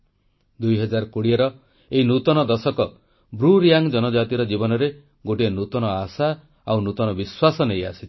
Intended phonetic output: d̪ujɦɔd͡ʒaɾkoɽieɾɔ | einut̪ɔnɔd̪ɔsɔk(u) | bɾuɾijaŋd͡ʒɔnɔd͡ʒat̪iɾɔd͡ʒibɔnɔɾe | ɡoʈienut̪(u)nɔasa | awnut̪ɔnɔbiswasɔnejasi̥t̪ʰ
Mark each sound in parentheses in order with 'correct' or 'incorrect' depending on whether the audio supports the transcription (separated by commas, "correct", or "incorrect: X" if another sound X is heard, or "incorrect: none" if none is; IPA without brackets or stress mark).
incorrect: ɔ, incorrect: ɔ